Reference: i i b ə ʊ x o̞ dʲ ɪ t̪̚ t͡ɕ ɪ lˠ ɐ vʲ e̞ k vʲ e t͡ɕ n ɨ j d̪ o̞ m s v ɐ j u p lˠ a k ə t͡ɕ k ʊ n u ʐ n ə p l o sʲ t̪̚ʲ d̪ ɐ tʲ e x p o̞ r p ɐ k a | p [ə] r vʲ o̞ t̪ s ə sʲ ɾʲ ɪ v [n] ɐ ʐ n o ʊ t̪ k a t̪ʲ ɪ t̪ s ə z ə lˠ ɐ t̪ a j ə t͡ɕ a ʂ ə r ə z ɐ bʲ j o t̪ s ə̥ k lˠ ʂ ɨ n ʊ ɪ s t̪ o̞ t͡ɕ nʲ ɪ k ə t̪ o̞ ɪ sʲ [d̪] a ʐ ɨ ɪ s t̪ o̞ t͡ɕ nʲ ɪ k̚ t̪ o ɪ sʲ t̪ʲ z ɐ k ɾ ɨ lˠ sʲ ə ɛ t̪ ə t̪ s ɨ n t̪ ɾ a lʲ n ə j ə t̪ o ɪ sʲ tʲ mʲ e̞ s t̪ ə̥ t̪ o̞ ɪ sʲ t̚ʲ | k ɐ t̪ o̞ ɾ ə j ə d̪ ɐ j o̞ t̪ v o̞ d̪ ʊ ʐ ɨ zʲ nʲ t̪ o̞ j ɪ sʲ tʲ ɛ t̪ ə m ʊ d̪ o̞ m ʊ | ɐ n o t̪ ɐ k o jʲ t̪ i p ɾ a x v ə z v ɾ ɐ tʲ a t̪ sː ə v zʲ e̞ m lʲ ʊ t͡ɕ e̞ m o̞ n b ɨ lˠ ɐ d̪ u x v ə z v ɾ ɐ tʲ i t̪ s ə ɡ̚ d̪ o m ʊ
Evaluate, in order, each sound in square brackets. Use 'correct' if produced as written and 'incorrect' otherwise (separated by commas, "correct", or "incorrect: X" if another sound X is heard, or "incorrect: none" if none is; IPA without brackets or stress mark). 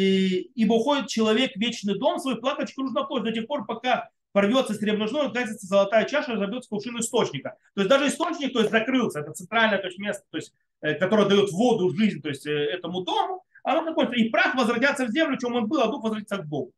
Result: incorrect: ɐ, correct, correct